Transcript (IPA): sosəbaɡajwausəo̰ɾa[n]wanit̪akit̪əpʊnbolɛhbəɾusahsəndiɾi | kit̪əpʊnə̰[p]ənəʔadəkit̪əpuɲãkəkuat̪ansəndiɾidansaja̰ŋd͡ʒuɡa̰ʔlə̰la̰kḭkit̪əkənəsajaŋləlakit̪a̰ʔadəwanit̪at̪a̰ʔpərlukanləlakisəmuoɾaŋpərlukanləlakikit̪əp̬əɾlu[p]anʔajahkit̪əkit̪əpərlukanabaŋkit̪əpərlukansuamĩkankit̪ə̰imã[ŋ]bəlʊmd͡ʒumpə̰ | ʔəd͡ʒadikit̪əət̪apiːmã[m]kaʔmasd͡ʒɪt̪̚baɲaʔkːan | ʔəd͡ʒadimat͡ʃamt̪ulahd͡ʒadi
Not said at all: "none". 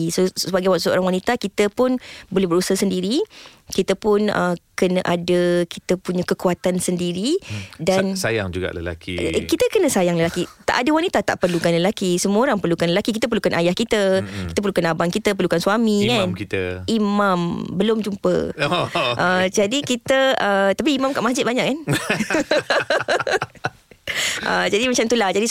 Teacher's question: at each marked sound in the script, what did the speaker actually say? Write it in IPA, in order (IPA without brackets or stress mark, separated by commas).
ŋ, k, k, m, m